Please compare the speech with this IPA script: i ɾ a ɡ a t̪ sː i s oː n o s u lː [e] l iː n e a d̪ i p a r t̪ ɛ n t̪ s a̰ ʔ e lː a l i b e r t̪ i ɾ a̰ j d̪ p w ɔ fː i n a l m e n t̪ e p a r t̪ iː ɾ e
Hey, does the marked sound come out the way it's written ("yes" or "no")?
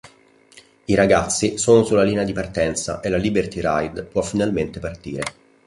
no